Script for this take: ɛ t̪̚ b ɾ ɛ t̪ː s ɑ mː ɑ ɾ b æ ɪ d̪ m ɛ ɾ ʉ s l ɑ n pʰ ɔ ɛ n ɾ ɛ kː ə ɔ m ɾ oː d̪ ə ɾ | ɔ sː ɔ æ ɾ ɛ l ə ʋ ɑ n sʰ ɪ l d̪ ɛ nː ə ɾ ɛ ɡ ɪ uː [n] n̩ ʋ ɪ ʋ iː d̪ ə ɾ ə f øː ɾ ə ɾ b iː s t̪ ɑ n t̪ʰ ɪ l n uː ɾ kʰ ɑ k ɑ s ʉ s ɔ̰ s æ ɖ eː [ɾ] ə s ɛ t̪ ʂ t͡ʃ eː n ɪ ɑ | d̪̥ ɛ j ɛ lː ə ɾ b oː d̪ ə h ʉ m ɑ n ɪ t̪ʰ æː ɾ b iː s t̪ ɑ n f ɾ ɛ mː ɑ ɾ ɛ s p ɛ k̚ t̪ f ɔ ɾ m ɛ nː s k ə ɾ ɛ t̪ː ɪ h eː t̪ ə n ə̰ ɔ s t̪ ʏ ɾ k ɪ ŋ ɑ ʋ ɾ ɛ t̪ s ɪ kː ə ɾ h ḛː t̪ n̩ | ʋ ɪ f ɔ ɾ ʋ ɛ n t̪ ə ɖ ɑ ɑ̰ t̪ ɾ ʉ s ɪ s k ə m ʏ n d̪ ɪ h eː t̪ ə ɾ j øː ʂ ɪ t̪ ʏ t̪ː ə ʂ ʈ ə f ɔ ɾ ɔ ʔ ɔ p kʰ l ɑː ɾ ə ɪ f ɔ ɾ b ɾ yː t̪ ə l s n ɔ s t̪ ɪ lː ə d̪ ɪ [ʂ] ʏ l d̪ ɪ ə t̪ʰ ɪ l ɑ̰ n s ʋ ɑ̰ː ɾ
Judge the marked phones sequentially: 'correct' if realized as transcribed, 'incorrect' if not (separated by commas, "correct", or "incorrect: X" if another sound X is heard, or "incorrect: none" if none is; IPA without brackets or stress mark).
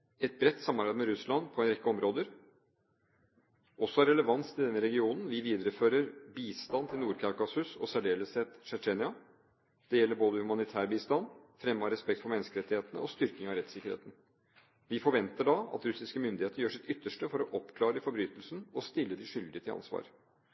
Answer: correct, incorrect: l, correct